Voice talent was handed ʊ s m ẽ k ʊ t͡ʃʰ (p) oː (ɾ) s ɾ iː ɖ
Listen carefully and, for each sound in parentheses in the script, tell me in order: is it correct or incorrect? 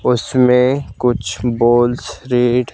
incorrect, incorrect

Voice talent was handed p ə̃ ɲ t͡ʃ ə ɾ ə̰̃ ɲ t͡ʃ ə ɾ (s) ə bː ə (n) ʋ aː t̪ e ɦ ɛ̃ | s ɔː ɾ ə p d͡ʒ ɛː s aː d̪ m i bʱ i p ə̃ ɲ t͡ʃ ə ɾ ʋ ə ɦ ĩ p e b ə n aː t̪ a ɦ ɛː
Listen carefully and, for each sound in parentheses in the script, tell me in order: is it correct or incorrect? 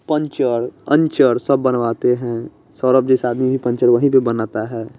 correct, correct

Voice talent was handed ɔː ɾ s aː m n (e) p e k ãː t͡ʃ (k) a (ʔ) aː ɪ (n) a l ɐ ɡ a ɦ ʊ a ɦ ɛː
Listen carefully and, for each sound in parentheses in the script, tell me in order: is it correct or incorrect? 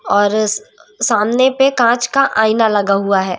correct, correct, correct, correct

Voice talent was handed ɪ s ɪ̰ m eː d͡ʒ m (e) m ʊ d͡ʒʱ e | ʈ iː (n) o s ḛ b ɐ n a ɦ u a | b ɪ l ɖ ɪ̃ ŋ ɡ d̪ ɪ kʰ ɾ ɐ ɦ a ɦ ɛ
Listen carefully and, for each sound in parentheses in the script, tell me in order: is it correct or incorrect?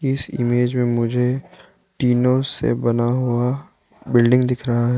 incorrect, correct

